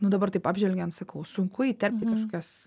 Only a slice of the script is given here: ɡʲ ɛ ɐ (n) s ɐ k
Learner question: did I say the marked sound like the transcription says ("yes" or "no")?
yes